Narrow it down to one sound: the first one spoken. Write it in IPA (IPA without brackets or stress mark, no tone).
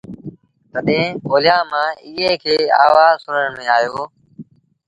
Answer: t̪